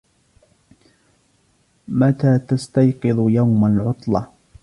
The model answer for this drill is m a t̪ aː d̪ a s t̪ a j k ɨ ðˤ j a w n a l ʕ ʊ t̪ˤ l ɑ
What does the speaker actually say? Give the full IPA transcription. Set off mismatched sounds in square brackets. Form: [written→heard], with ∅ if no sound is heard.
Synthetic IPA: m a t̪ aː [d̪→t̪] a s t̪ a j [k→q] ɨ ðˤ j a w [n→m] a l ʕ ʊ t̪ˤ l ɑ